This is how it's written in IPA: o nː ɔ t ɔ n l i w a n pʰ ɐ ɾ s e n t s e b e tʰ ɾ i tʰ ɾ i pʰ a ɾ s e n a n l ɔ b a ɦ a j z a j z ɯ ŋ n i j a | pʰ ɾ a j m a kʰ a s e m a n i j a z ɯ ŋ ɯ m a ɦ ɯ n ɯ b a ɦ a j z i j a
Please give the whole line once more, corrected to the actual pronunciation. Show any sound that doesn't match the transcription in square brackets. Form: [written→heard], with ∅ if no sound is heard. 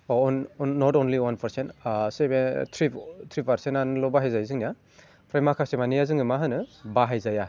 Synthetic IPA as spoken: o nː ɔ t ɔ n l i w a n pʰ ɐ ɾ s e n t s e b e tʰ ɾ i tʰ ɾ i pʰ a ɾ s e n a n l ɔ b a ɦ a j z a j z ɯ ŋ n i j a | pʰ ɾ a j m a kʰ a s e m a n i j a z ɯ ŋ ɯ m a ɦ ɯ n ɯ b a ɦ a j z [i→a] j a

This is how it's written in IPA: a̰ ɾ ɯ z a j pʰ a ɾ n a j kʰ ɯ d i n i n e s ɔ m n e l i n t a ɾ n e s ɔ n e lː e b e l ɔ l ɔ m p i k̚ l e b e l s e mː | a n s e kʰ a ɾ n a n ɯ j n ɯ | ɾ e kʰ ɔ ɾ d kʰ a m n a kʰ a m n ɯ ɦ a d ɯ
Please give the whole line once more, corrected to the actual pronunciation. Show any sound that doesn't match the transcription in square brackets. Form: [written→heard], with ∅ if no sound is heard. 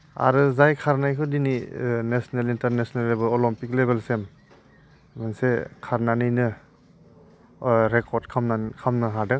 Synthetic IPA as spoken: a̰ ɾ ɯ z a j [pʰ→kʰ] a ɾ n a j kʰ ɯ d i n i n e s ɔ [m→∅] n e l i n t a ɾ n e s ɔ n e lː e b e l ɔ l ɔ m p i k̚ l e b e l s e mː | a n s e kʰ a ɾ n a n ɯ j n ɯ | ɾ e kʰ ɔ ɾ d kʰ a m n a kʰ a m n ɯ ɦ a d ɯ

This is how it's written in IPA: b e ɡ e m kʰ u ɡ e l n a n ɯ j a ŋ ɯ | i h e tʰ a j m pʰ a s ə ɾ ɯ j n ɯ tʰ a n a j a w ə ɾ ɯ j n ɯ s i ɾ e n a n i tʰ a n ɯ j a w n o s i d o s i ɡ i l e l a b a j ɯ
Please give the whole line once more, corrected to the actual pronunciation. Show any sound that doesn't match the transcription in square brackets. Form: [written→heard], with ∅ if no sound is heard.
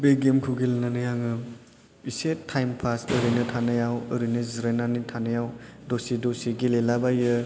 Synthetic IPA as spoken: b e ɡ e m kʰ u ɡ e l n a n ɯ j a ŋ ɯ | i [h→s] e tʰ a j m pʰ a s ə ɾ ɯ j n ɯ tʰ a n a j a w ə ɾ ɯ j n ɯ [s→z] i ɾ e n a n i tʰ a n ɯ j a w [n→d] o s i d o s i ɡ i l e l a b a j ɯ

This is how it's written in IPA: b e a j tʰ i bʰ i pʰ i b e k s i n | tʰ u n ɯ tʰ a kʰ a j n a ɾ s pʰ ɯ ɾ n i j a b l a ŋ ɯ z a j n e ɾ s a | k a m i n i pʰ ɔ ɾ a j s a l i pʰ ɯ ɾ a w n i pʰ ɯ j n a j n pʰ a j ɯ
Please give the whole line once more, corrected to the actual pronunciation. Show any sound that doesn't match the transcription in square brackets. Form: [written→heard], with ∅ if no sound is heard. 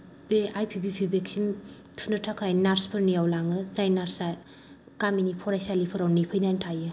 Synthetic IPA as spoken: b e a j [tʰ→pʰ] i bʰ i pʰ i b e k s i n | tʰ u n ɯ tʰ a kʰ a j n a ɾ s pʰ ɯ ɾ n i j a [b→w] l a ŋ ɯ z a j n [e→a] ɾ s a | k a m i n i pʰ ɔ ɾ a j s a l i pʰ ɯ ɾ a w n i pʰ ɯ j n a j n [pʰ→tʰ] a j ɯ

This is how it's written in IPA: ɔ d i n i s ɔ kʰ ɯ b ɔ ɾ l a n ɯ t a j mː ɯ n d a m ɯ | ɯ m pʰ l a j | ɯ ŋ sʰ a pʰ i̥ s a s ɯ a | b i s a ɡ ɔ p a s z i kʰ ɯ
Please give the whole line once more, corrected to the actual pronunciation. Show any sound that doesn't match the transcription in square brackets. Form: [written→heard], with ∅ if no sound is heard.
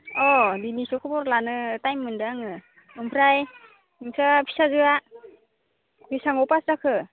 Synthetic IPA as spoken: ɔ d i n i s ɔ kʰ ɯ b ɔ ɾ l a n ɯ t a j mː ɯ n d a [m→ŋ] ɯ | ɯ m pʰ [l→ɾ] a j | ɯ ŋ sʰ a pʰ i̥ s a [s→z] ɯ a | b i s a [ɡ→ŋ] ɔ p a s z [i→a] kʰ ɯ

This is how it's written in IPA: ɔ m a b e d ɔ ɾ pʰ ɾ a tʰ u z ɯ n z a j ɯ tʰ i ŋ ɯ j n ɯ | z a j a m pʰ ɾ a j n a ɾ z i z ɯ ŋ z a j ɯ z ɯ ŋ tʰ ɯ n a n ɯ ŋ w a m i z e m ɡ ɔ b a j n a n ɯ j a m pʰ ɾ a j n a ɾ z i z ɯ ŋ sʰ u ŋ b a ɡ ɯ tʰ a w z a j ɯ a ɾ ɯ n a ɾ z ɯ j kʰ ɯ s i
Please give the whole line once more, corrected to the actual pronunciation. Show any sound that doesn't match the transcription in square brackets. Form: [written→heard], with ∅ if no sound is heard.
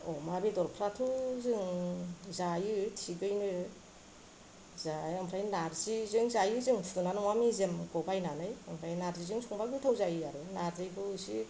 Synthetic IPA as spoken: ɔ m a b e d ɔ ɾ pʰ ɾ a tʰ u z ɯ [n→ŋ] z a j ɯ tʰ i [ŋ→ɡ] ɯ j n ɯ | z a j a m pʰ ɾ a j n a ɾ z i z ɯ ŋ z a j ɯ z ɯ ŋ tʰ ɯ n a n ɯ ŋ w a m i z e m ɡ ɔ b a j n a n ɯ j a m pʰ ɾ a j n a ɾ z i z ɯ ŋ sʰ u ŋ b a ɡ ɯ tʰ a w z a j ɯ a ɾ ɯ n a ɾ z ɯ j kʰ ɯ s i

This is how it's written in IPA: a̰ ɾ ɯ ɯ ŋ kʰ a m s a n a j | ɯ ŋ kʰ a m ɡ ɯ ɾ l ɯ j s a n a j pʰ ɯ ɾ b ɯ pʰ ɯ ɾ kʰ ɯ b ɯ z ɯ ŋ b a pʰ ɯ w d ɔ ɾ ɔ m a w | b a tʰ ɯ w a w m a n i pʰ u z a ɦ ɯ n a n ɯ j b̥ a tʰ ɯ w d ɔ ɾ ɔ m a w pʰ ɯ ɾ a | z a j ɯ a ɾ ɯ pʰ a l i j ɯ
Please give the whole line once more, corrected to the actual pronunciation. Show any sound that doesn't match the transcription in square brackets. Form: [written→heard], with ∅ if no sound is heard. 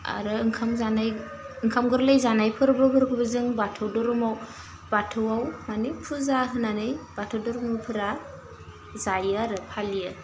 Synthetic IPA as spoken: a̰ ɾ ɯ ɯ ŋ kʰ a m [s→z] a n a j | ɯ ŋ kʰ a m ɡ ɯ ɾ l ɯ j [s→z] a n a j pʰ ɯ ɾ b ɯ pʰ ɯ ɾ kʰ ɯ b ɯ z ɯ ŋ b a [pʰ→tʰ] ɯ w d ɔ ɾ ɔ m a w | b a tʰ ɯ w a w m a n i pʰ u z a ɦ ɯ n a n ɯ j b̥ a tʰ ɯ w d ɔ ɾ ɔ m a w pʰ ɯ ɾ a | z a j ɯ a ɾ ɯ pʰ a l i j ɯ

